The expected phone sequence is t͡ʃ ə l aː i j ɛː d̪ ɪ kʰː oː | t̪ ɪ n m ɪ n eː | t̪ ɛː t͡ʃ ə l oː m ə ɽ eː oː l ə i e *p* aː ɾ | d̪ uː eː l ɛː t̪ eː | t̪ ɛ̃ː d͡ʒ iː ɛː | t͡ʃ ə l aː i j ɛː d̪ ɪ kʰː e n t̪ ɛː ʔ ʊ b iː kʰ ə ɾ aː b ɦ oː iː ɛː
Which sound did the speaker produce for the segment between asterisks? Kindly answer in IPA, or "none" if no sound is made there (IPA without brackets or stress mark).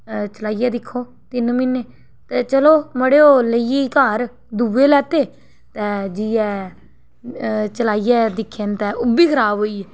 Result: k